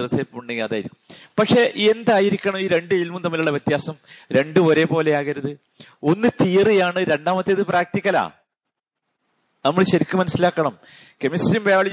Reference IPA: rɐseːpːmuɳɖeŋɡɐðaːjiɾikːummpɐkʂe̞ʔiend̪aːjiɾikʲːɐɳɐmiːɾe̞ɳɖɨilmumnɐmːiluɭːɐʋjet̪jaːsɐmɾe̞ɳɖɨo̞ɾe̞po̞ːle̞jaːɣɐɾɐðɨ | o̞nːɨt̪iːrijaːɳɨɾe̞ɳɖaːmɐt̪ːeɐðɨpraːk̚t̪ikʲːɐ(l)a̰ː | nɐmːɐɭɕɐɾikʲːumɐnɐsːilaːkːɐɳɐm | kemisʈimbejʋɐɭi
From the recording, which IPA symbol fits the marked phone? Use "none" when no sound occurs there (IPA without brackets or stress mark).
l